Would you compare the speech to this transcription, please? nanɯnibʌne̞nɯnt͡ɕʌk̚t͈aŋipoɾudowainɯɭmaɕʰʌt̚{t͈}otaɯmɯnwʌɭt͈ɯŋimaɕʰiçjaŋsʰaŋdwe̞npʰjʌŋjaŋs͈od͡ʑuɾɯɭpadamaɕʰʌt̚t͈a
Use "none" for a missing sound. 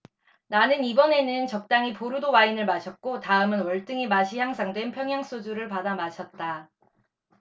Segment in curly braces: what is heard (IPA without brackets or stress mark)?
k͈